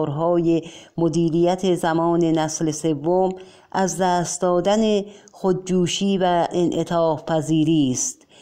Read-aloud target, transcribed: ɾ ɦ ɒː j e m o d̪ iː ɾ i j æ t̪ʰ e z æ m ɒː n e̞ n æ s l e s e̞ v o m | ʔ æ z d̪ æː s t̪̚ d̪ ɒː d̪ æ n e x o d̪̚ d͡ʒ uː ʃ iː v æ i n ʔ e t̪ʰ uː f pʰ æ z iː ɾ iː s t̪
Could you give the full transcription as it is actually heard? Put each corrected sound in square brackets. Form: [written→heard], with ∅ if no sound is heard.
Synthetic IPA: ɾ ɦ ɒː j e m o d̪ iː ɾ i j æ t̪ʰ e z æ m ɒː n e̞ n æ s l e s e̞ [v→vː] o m | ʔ æ z d̪ æː s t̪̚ d̪ ɒː d̪ æ n e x o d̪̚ d͡ʒ uː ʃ iː v æ [i→e] n ʔ e t̪ʰ [uː→ɒː] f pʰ æ z iː ɾ iː s t̪